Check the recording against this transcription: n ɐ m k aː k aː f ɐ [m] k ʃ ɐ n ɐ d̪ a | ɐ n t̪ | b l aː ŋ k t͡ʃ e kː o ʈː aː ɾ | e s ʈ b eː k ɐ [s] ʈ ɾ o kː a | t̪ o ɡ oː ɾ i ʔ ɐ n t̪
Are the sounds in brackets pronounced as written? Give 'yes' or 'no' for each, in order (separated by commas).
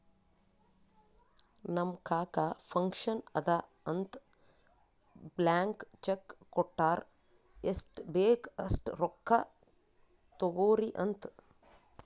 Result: no, yes